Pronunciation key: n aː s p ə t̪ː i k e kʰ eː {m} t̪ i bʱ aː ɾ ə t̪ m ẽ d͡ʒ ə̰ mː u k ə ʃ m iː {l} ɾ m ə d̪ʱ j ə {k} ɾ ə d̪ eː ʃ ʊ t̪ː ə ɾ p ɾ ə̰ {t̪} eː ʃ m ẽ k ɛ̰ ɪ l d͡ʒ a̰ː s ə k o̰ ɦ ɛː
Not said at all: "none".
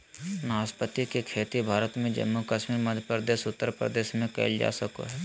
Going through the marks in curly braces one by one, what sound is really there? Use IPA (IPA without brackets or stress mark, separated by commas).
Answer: none, none, p, d̪